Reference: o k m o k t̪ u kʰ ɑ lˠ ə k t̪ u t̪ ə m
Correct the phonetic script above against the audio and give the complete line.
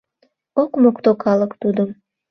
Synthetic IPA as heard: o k m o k t̪ o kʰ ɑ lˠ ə k t̪ u d̪ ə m